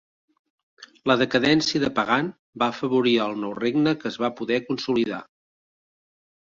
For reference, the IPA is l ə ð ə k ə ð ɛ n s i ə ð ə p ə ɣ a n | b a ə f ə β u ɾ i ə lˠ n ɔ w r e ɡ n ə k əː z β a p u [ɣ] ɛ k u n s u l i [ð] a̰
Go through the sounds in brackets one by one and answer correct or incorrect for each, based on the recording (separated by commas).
incorrect, correct